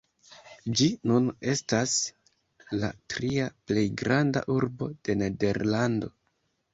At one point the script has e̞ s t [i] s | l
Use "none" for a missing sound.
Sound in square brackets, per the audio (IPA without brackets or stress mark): a